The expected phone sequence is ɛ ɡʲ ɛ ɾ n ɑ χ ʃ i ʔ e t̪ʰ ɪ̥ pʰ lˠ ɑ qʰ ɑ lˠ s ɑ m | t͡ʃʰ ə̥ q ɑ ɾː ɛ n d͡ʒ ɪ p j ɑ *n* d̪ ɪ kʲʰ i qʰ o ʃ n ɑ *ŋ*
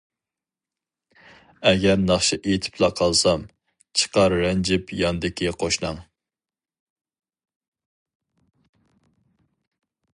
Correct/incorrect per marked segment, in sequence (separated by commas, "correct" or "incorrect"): correct, correct